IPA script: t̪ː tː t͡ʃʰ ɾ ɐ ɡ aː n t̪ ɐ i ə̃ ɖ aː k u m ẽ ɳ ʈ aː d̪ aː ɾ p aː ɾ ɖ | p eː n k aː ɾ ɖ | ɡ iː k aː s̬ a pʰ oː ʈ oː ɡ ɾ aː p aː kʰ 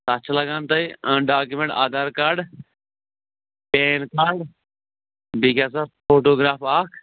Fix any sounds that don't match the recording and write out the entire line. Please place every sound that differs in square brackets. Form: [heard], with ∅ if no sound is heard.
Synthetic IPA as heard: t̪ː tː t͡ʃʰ [l] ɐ ɡ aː n t̪ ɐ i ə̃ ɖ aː k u m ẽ ɳ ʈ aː d̪ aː ɾ [k] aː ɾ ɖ | p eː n k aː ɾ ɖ | [b] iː k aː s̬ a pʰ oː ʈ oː ɡ ɾ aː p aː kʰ